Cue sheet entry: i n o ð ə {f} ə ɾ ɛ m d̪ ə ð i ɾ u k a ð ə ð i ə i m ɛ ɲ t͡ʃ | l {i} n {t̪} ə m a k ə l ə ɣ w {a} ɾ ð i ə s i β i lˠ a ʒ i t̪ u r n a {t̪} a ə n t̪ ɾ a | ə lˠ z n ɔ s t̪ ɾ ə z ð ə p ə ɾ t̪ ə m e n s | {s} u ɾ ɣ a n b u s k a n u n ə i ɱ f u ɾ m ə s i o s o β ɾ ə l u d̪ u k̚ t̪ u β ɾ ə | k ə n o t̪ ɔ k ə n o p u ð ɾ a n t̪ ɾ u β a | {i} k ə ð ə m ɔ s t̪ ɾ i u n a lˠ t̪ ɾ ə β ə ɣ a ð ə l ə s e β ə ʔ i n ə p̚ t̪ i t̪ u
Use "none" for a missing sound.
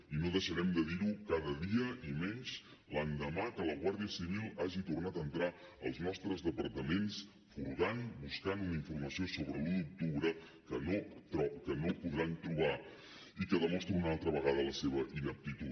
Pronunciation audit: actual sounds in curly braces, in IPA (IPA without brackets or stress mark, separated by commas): ʃ, a, d̪, a, t̪, f, i